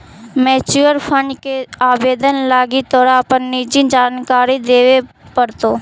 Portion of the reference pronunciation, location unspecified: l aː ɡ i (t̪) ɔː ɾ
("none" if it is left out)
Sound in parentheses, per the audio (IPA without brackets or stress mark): t̪